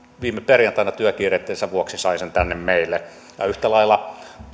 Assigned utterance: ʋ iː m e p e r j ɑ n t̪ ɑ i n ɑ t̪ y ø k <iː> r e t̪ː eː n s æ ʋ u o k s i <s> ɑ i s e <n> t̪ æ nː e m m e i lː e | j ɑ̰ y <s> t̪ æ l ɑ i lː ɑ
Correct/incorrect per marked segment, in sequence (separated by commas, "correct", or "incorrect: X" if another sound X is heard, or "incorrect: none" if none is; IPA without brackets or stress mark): correct, correct, correct, incorrect: h